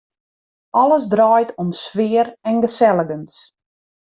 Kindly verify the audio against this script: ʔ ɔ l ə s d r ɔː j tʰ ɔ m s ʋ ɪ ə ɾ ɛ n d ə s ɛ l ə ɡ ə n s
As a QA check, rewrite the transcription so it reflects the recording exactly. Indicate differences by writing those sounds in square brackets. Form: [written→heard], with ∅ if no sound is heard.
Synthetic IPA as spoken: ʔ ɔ l ə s d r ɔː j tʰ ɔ m s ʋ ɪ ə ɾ ɛ n [d→ɡ] ə s ɛ l ə ɡ ə n s